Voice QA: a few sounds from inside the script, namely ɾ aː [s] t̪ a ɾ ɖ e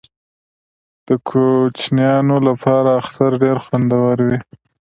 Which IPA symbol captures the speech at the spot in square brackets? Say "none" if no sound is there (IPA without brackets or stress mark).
x